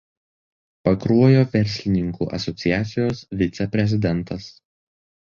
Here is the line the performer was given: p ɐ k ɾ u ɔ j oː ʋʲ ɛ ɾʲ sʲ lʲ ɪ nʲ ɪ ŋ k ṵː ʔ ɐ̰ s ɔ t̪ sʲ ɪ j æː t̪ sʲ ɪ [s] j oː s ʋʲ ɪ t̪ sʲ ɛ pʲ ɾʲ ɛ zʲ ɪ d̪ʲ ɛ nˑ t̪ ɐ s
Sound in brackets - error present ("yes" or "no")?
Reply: yes